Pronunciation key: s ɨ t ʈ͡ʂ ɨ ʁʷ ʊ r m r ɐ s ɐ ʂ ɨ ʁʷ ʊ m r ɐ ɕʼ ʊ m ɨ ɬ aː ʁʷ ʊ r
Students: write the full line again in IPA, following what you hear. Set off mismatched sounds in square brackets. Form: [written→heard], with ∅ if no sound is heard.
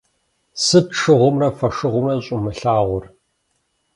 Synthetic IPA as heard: s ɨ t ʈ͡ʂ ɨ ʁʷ ʊ [r→∅] m r ɐ [s→f] ɐ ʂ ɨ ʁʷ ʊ m r ɐ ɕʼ ʊ m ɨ ɬ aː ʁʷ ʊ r